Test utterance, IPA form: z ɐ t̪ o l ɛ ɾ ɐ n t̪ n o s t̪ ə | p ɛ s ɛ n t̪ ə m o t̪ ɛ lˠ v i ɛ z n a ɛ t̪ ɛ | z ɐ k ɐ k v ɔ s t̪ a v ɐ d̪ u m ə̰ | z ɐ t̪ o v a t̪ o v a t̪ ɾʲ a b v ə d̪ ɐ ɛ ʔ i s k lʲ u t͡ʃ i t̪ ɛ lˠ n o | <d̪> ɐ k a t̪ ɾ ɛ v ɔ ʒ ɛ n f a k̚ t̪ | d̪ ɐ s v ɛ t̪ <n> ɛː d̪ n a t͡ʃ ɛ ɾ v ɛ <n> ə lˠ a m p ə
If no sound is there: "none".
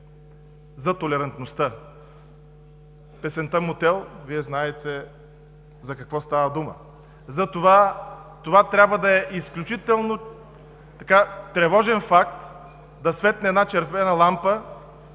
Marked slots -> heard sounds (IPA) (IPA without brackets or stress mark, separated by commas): t̪, n, n